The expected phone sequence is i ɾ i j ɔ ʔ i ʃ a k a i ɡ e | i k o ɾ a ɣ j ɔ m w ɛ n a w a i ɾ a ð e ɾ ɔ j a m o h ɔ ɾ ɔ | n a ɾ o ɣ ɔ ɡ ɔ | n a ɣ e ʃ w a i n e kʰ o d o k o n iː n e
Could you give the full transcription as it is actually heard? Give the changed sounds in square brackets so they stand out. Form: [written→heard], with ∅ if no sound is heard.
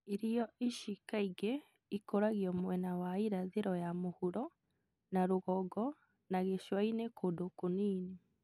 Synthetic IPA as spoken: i ɾ i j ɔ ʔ i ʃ [a→i] k a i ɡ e | i k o ɾ a ɣ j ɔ m w ɛ n a w a i ɾ a ð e ɾ ɔ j a m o h [ɔ→u] ɾ ɔ | n a ɾ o ɣ ɔ ɡ ɔ | n a ɣ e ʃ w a i n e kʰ o d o k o n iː n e

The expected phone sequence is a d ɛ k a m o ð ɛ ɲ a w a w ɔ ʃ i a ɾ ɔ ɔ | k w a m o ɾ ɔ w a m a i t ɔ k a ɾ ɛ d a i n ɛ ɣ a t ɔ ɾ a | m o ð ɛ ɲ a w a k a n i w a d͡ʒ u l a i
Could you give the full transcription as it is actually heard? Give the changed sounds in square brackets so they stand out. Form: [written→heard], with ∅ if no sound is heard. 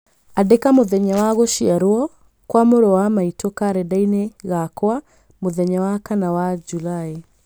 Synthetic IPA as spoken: a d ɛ k a m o ð ɛ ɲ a w a [w→ɣ] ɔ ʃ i a ɾ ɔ ɔ | k w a m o ɾ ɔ w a m a i t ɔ k a ɾ ɛ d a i n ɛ ɣ a [t→k] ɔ [ɾ→∅] a | m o ð ɛ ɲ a w a k a n [i→a] w a d͡ʒ u l a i

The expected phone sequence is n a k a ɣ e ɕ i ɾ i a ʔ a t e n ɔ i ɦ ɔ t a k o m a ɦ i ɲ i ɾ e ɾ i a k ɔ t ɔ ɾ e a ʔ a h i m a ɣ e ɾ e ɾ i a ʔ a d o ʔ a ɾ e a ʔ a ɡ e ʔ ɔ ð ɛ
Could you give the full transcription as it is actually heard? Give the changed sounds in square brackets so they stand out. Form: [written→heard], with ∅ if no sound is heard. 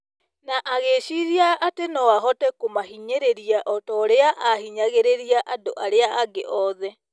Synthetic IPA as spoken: n a [k→ʔ] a ɣ e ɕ i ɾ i a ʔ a t e n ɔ [i→a] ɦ ɔ t [a→ɛ] k o m a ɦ i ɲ [i→e] ɾ e ɾ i a [k→ʔ] ɔ t ɔ ɾ e a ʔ a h i [m→ɲ] a ɣ e ɾ e ɾ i a ʔ a d o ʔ a ɾ e a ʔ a ɡ e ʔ ɔ ð ɛ

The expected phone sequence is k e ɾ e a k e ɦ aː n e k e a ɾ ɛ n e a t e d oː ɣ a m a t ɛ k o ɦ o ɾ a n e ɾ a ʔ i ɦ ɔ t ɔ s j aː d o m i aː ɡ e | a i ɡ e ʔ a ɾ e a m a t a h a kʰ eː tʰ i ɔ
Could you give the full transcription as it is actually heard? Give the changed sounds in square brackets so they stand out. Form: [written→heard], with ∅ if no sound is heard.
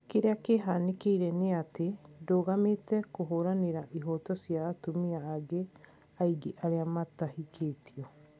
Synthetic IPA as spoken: k e ɾ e a k e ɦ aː n e k e [a→i] ɾ ɛ n e a t e d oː ɣ a m [a→e] t ɛ k o ɦ o ɾ a n e ɾ a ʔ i ɦ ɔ t ɔ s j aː [d→t] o m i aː ɡ e | a i ɡ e ʔ a ɾ e a m a t a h [a→i] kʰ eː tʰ i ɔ

